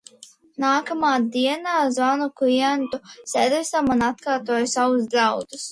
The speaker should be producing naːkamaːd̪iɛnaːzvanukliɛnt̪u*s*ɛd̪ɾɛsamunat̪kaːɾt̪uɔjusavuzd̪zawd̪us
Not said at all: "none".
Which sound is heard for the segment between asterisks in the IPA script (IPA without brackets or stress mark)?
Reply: s